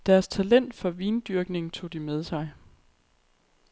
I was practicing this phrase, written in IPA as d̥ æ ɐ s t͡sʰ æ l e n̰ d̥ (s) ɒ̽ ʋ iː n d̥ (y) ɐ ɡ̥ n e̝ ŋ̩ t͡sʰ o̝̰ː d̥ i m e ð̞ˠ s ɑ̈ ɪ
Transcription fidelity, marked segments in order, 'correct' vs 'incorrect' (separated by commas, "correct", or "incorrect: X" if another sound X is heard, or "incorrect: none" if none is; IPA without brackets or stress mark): incorrect: f, correct